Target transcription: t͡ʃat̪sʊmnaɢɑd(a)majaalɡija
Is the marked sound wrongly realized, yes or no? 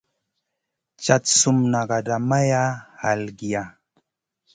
no